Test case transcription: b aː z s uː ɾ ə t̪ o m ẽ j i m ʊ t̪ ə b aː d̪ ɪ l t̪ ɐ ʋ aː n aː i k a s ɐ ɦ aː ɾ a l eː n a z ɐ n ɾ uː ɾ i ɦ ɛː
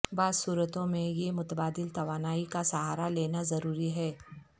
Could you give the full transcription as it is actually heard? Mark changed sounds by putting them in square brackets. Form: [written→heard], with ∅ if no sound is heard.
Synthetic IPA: b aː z s uː ɾ ə t̪ [o→õ] m ẽ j [i→e] m ʊ t̪ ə b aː d̪ ɪ l t̪ ɐ ʋ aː n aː i k a s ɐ ɦ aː ɾ a l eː n a z ɐ [n→∅] ɾ uː ɾ i ɦ ɛː